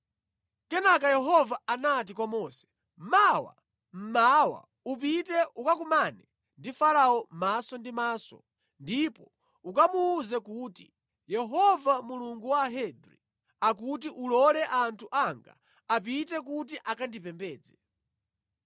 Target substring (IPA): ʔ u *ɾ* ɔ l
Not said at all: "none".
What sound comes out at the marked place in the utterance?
l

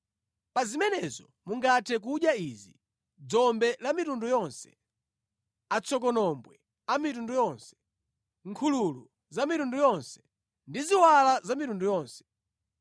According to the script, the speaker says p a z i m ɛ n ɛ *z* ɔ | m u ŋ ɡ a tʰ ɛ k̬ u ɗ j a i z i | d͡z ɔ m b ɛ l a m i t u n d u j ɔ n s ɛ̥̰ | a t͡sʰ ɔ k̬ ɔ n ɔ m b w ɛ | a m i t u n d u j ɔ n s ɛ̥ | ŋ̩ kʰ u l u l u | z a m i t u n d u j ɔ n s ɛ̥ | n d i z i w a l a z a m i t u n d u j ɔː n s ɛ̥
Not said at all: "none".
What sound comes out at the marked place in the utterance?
z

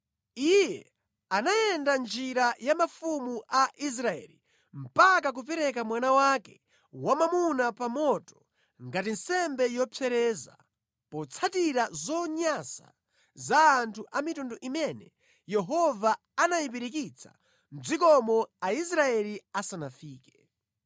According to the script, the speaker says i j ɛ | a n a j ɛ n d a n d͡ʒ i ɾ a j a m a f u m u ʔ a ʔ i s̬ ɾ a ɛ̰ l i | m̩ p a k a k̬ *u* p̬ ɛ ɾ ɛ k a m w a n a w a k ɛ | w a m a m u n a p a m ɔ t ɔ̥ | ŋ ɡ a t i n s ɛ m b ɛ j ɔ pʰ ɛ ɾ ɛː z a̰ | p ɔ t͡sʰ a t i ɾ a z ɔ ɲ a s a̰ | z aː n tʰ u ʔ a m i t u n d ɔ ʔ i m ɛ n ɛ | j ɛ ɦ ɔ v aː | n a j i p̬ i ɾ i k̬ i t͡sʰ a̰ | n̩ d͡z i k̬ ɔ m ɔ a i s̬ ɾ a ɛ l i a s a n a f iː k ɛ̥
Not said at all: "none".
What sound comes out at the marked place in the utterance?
u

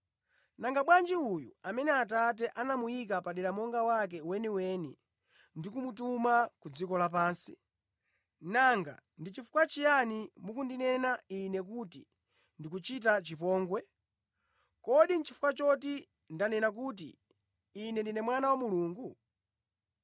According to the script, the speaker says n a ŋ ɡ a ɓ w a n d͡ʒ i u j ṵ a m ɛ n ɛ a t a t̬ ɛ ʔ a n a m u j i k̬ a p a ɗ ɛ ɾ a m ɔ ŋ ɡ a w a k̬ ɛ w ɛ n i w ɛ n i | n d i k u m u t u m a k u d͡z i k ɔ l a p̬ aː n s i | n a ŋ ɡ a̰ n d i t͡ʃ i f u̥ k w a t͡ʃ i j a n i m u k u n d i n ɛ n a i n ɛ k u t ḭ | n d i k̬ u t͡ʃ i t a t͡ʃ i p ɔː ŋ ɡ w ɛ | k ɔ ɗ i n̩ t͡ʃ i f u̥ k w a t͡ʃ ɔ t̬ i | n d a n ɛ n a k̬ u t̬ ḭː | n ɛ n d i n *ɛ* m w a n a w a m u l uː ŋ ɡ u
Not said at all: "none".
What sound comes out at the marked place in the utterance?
ɛ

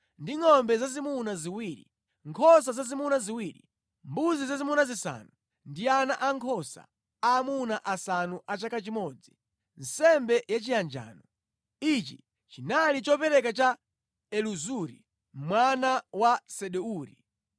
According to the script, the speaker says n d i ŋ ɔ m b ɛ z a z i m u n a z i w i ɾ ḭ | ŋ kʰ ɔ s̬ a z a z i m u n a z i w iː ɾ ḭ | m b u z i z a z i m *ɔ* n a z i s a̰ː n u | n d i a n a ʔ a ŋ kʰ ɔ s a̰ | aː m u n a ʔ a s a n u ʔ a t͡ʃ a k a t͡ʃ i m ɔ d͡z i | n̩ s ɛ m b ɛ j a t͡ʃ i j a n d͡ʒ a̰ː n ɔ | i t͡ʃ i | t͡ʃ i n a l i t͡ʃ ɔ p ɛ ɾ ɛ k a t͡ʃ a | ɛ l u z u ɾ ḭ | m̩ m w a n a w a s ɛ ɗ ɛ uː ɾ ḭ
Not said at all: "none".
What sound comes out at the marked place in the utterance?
u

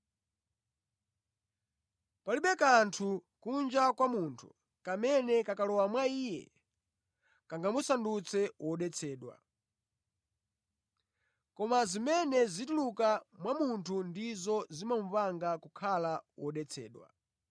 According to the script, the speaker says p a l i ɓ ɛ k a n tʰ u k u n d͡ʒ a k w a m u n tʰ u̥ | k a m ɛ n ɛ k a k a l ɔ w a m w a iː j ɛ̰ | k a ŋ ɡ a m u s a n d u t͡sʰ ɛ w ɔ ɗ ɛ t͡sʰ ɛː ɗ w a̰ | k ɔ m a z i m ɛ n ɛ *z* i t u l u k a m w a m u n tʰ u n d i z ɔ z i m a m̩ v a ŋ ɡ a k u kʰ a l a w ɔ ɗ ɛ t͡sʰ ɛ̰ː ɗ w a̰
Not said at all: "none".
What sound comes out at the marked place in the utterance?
z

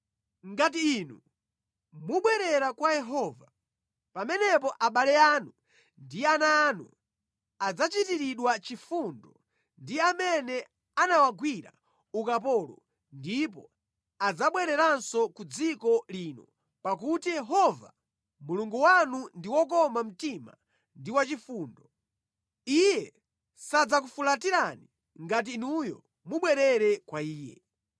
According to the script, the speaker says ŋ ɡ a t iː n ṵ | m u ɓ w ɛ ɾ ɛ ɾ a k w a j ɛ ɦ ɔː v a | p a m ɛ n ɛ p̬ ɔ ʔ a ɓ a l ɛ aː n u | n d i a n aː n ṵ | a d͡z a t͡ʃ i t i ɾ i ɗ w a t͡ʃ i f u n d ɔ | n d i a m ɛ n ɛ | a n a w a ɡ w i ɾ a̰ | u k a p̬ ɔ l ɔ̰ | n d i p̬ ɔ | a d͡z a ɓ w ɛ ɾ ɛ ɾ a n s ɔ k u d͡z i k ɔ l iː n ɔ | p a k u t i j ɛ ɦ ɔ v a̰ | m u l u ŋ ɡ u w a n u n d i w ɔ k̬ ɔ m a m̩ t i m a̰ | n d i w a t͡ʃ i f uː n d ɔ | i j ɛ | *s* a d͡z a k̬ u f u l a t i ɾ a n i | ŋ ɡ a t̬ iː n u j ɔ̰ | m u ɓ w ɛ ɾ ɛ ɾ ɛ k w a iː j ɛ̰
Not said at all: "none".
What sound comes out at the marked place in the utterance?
s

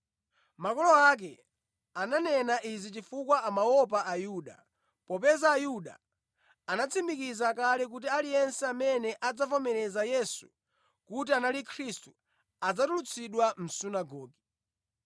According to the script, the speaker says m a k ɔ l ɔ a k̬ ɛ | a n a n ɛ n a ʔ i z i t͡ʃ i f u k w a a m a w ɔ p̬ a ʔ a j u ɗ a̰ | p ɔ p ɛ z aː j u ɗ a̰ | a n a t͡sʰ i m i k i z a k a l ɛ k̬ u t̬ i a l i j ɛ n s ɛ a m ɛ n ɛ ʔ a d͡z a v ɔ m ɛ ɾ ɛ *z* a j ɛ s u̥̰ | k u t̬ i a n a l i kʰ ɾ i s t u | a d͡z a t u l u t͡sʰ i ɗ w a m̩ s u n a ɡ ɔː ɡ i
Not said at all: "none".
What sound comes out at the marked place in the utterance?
z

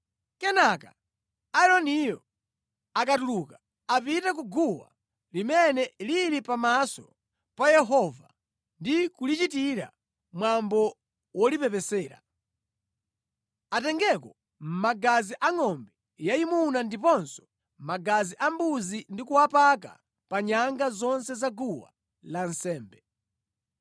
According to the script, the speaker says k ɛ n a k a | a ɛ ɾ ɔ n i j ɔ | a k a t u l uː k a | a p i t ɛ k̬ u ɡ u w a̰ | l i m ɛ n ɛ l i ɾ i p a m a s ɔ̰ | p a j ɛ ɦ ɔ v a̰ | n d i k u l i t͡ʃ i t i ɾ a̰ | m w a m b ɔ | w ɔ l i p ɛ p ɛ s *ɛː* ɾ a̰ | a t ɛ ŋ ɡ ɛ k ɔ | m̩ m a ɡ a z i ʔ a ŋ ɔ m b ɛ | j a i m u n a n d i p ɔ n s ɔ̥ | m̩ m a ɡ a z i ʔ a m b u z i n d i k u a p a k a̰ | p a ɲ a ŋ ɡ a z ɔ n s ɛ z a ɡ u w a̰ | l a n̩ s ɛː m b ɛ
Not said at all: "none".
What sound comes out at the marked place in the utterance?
ɛː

